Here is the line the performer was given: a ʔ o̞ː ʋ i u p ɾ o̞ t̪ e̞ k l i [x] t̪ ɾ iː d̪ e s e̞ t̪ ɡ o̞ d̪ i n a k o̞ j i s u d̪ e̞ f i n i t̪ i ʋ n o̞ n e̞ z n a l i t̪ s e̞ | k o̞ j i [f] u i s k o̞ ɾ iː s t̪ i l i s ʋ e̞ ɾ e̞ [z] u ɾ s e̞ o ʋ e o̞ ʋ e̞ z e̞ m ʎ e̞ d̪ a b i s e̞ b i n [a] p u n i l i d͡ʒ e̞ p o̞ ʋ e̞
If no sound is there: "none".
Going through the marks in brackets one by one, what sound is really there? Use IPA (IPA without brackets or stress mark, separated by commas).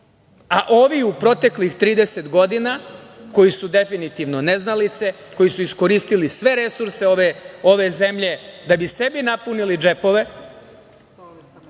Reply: x, s, s, a